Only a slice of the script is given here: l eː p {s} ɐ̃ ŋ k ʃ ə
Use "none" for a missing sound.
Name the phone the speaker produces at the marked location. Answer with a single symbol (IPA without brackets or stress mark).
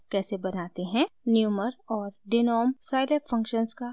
f